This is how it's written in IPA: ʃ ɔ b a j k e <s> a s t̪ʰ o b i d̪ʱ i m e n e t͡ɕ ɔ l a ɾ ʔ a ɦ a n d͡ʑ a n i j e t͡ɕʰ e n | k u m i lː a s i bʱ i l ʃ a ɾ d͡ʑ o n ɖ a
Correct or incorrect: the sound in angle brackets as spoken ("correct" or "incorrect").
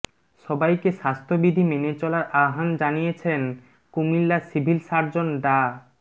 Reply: incorrect